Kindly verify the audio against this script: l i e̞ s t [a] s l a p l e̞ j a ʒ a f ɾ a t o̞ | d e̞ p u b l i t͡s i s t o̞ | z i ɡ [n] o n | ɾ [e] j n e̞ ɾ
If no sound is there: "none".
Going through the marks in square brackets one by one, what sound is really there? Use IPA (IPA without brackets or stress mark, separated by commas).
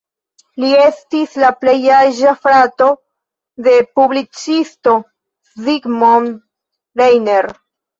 i, m, e